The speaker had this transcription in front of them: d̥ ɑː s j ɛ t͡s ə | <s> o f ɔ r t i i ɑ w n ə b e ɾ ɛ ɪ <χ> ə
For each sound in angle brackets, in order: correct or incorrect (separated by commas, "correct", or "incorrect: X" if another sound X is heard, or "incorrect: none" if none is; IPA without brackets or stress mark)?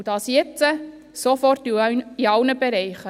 correct, correct